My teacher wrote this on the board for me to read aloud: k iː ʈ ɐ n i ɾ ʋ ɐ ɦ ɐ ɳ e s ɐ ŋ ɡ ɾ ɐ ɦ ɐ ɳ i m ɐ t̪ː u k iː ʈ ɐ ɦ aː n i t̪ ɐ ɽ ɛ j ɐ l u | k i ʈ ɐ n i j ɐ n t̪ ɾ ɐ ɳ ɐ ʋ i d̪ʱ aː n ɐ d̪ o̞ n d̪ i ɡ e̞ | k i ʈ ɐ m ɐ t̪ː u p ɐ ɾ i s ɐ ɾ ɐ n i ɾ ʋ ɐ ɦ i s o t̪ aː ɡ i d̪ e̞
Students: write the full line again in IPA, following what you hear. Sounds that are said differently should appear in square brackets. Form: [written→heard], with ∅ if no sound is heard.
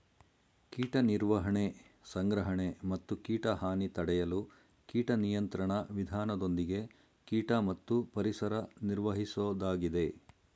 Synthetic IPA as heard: k iː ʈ ɐ n i ɾ ʋ ɐ ɦ ɐ ɳ e s ɐ ŋ ɡ ɾ ɐ ɦ ɐ ɳ [i→e] m ɐ t̪ː u k iː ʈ ɐ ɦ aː n i t̪ ɐ ɽ ɛ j ɐ l u | k [i→iː] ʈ ɐ n i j ɐ n t̪ ɾ ɐ ɳ ɐ ʋ i d̪ʱ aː n ɐ d̪ o̞ n d̪ i ɡ e̞ | k [i→iː] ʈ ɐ m ɐ t̪ː u p ɐ ɾ i s ɐ ɾ ɐ n i ɾ ʋ ɐ ɦ i s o [t̪→d̪] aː ɡ i d̪ e̞

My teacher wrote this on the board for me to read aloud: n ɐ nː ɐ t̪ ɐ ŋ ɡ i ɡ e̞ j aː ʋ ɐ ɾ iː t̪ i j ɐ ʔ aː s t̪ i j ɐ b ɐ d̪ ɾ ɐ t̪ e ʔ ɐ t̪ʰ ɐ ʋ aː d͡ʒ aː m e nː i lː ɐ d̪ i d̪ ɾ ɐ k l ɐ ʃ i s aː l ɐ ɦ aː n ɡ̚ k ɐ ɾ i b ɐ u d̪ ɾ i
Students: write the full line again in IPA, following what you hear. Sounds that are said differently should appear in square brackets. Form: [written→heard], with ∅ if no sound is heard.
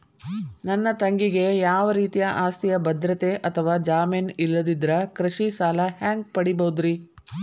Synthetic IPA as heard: n ɐ nː ɐ t̪ ɐ ŋ ɡ i ɡ e̞ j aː ʋ ɐ ɾ iː t̪ i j ɐ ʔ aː s t̪ i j ɐ b ɐ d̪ ɾ ɐ t̪ e ʔ ɐ t̪ʰ ɐ ʋ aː d͡ʒ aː m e [nː→n] i lː ɐ d̪ i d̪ ɾ ɐ k [l→ɾ] ɐ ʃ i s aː l ɐ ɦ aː [n→ŋ] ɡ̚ [k→p] ɐ [ɾ→ɽ] i b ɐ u d̪ ɾ i

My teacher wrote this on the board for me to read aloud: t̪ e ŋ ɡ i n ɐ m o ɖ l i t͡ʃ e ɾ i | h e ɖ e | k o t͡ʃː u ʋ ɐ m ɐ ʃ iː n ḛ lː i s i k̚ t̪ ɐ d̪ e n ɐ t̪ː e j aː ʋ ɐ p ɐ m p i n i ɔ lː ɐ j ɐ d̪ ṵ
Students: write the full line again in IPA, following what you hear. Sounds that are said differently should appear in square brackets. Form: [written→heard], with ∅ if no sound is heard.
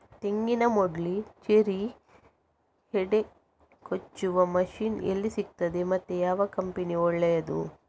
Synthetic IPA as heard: t̪ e ŋ ɡ i n ɐ m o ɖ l i t͡ʃ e ɾ i | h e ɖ e | k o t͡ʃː u ʋ ɐ m ɐ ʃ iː n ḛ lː i s i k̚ t̪ ɐ d̪ e [n→m] ɐ t̪ː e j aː ʋ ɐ [p→k] ɐ m p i n i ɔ [lː→ɭː] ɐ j ɐ d̪ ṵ

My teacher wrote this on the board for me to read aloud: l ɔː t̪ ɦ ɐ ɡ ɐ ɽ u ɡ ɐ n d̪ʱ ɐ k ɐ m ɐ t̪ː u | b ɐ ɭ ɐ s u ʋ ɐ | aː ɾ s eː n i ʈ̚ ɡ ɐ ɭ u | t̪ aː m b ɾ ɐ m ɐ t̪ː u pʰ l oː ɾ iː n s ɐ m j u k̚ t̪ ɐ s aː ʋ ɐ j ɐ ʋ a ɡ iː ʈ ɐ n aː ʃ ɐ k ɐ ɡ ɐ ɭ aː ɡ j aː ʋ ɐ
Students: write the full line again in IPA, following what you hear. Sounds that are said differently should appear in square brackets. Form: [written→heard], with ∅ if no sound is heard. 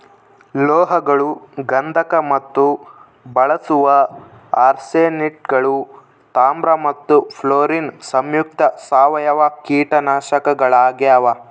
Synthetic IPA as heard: l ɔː [t̪→∅] ɦ ɐ ɡ ɐ [ɽ→ɭ] u ɡ ɐ n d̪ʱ ɐ k ɐ m ɐ t̪ː u | b ɐ ɭ ɐ s u ʋ ɐ | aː ɾ s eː n i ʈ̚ ɡ ɐ ɭ u | t̪ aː m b ɾ ɐ m ɐ t̪ː u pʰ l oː ɾ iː n s ɐ m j u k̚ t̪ ɐ s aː ʋ ɐ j ɐ ʋ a [ɡ→k] iː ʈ ɐ n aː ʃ ɐ k ɐ ɡ ɐ ɭ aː ɡ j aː ʋ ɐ

